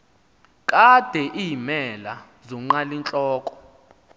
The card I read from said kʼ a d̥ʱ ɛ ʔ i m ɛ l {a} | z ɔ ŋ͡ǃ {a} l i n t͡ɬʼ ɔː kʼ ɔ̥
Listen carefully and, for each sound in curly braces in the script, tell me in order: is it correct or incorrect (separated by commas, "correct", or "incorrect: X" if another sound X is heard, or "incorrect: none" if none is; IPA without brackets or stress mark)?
correct, correct